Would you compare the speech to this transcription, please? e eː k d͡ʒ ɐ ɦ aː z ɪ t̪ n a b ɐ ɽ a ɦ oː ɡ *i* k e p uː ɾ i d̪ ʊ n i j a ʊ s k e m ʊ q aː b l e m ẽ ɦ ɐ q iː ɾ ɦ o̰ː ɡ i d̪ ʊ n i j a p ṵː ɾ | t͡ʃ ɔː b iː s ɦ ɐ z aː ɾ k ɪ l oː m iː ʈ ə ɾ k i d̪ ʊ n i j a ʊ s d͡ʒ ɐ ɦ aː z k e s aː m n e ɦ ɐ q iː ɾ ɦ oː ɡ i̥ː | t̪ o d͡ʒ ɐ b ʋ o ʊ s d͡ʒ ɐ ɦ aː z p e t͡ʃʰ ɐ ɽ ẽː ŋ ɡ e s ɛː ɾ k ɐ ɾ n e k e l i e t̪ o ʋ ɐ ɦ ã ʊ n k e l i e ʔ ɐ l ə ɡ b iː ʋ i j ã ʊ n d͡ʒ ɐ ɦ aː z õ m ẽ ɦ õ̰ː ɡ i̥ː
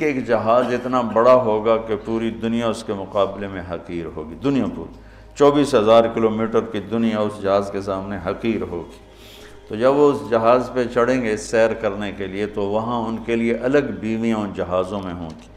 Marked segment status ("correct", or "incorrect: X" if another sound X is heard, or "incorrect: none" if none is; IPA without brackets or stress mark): incorrect: a